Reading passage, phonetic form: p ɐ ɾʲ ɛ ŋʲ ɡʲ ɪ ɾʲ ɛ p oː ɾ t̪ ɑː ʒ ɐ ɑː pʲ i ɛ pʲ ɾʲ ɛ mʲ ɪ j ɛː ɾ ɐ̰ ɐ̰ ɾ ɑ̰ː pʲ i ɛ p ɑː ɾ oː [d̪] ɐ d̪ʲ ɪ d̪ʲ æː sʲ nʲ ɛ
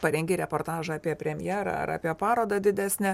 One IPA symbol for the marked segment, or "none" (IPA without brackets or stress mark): d̪